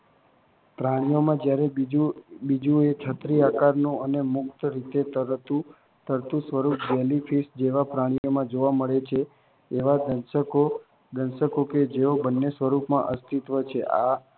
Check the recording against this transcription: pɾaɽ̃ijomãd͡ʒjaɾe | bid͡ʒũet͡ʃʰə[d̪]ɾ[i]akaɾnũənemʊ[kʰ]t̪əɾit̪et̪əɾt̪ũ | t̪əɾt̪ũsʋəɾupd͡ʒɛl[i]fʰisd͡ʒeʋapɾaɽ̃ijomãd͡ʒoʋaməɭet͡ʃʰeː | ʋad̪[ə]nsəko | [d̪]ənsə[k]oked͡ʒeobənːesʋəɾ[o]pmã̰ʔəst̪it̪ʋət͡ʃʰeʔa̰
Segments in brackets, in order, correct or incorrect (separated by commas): incorrect, correct, incorrect, correct, correct, correct, correct, incorrect